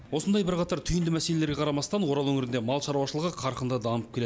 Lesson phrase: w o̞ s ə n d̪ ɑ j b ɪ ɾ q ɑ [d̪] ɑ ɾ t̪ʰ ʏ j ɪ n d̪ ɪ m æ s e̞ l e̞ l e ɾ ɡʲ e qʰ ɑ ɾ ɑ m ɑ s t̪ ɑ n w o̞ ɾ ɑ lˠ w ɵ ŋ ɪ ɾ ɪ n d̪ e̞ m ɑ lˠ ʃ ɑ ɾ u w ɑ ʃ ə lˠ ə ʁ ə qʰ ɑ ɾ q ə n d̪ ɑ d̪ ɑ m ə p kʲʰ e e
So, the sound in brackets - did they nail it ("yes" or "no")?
no